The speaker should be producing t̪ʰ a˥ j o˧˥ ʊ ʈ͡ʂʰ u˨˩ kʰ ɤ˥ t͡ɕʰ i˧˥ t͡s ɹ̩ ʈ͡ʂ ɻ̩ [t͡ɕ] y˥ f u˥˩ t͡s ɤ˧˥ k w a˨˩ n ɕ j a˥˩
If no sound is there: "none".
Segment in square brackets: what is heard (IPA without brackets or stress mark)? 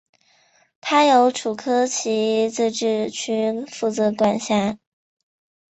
t͡ɕʰ